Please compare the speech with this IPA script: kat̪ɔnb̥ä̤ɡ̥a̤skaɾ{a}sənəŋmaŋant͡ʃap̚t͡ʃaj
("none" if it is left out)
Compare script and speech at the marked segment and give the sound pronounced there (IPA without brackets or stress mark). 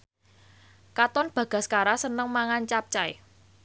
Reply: a